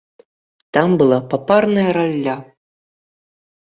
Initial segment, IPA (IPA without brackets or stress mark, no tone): t̪